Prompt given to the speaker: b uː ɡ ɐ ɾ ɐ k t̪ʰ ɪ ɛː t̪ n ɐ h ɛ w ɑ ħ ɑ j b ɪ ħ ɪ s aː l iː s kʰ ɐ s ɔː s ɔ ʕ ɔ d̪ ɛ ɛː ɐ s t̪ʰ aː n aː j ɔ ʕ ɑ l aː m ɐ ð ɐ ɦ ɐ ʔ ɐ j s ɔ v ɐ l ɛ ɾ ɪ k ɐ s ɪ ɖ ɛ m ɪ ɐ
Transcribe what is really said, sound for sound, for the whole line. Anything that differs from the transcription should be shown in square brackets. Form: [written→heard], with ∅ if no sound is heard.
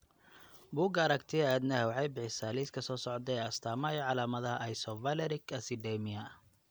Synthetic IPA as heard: b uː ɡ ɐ ɾ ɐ k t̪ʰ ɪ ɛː [t̪→d̪] n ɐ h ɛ w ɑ ħ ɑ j b ɪ ħ ɪ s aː l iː s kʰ ɐ s ɔː s ɔ ʕ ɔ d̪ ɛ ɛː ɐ s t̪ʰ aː [n→m] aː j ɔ ʕ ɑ l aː m ɐ ð ɐ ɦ ɐ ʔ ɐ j s ɔ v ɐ l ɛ ɾ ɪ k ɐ s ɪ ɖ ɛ m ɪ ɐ